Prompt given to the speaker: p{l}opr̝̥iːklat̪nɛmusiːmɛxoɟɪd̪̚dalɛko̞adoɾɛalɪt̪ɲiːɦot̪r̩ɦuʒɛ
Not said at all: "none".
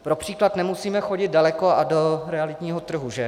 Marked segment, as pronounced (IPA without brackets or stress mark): ɾ